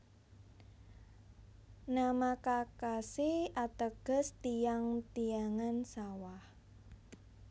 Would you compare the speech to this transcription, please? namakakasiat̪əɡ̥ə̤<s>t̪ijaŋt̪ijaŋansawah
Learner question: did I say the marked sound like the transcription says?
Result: yes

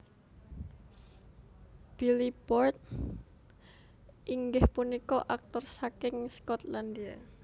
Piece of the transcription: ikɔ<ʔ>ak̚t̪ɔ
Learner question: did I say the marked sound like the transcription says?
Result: yes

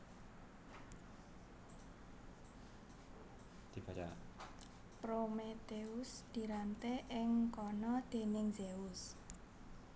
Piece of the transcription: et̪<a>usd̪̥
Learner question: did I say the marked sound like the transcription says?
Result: no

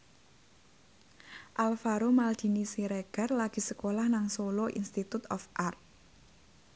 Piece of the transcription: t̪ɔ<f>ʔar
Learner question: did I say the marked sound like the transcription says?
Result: yes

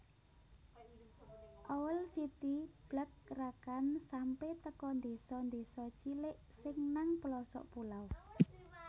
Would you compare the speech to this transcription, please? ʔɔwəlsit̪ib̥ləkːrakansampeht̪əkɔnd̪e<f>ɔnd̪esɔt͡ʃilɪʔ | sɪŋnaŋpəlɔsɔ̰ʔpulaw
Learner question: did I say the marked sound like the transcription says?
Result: no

